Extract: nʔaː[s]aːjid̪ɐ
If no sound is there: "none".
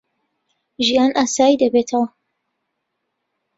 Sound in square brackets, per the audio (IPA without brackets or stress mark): s